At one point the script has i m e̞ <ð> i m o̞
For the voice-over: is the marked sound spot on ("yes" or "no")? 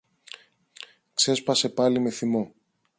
no